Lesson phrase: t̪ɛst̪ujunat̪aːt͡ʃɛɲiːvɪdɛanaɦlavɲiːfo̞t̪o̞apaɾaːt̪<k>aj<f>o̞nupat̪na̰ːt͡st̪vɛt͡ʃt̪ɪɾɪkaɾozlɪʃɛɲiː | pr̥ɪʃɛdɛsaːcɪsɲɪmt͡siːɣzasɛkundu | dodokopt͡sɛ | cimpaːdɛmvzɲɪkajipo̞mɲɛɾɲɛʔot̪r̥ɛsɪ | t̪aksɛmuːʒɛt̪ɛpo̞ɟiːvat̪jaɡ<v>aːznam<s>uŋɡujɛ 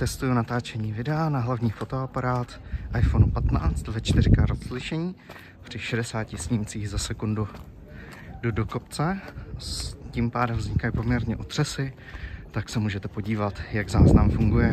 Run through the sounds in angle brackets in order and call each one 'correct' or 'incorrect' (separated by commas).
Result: incorrect, correct, incorrect, incorrect